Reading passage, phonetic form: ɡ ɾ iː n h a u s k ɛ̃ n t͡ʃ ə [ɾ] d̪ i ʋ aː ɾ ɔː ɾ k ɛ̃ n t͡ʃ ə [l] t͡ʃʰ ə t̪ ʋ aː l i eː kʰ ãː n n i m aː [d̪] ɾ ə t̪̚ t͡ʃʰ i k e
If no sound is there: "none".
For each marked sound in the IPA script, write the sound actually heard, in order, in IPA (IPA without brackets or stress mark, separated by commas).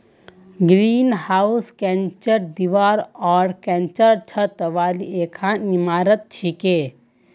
ɾ, ɾ, none